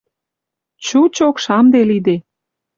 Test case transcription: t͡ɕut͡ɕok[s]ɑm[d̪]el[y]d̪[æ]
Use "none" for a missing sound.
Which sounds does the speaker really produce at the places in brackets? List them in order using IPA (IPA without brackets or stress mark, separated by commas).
ʃ, d̪, i, e